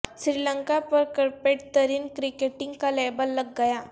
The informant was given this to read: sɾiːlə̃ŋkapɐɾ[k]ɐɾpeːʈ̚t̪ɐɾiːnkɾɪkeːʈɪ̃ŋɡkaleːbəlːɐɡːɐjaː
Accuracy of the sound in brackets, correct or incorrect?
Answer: correct